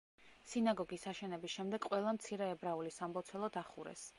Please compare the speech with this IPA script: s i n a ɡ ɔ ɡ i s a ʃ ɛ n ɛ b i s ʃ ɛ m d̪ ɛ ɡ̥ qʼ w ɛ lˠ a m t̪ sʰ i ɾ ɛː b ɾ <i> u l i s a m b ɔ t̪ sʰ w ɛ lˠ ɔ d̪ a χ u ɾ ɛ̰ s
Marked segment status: incorrect: a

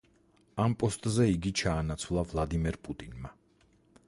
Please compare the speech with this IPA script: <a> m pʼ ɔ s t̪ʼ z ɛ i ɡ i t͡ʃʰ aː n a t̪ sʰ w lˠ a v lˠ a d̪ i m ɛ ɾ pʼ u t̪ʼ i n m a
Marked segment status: correct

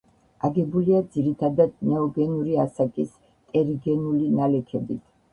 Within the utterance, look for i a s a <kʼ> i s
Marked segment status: correct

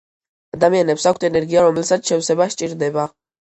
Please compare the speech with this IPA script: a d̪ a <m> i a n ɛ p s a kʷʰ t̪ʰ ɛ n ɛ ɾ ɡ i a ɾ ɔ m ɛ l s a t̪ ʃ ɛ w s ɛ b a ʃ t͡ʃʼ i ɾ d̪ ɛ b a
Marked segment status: correct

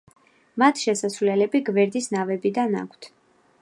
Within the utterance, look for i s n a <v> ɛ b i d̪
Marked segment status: correct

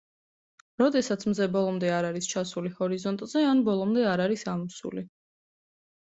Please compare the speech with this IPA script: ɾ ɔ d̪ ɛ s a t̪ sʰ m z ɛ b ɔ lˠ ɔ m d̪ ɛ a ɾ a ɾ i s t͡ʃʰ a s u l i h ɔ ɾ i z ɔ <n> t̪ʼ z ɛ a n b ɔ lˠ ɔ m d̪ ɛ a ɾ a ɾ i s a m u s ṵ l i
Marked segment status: correct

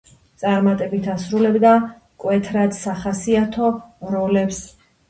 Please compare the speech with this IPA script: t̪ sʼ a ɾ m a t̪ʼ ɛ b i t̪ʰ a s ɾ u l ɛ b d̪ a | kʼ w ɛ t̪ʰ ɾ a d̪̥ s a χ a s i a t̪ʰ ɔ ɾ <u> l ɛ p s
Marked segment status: incorrect: ɔ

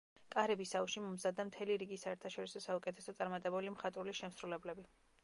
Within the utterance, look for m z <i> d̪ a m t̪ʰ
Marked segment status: incorrect: a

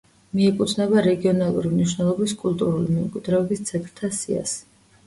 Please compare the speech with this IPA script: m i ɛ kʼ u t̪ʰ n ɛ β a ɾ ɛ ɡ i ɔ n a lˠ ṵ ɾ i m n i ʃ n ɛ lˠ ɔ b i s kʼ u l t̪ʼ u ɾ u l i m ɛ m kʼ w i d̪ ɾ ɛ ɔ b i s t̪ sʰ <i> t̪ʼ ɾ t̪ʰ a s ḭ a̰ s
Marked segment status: incorrect: ɛ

